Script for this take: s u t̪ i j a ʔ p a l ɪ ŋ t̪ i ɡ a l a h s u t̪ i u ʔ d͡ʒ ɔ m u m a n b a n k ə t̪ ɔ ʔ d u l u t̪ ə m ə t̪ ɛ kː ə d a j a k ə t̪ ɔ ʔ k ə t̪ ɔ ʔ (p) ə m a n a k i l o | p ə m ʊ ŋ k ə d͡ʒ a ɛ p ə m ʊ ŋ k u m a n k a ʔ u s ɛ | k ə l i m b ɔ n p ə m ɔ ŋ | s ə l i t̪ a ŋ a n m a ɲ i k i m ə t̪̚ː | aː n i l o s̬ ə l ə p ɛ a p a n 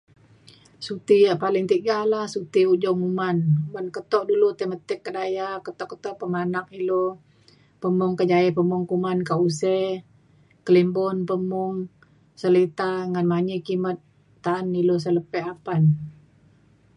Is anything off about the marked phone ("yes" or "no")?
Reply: no